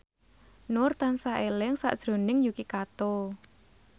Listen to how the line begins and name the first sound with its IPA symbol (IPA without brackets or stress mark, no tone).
n